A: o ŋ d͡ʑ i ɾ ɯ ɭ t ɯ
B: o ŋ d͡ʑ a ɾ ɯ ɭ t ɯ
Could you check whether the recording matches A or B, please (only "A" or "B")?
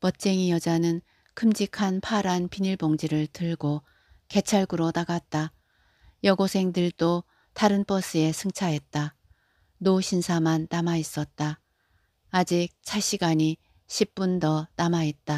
A